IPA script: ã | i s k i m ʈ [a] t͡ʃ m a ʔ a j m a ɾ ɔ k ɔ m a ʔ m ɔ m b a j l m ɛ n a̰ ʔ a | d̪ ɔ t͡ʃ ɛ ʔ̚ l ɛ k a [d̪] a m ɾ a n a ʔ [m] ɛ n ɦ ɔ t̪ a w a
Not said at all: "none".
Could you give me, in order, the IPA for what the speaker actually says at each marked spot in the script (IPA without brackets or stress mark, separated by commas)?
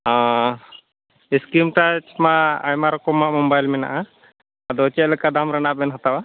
a, d̪, b